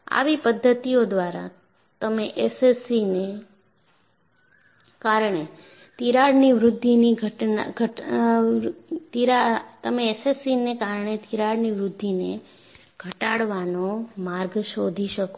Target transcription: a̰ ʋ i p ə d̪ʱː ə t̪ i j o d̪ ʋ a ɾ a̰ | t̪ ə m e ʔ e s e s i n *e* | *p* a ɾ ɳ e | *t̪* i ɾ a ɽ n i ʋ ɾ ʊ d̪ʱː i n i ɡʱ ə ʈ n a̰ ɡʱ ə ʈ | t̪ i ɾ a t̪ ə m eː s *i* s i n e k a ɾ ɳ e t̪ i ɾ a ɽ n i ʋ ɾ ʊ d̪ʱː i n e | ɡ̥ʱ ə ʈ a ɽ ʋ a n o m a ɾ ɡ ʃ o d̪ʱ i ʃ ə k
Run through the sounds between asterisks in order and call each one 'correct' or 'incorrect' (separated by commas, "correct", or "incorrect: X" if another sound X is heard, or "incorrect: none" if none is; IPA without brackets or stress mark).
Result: correct, incorrect: k, correct, incorrect: e